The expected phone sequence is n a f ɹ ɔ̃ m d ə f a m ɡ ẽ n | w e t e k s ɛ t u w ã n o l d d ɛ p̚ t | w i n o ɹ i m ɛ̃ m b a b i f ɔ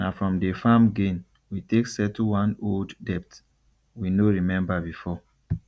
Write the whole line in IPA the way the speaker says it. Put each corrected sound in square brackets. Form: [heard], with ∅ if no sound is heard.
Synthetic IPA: n a f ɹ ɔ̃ m d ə f a m ɡ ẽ n | w [i] t e k s ɛ t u w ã n o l d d ɛ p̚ t | w i n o ɹ i m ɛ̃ m b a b i f ɔ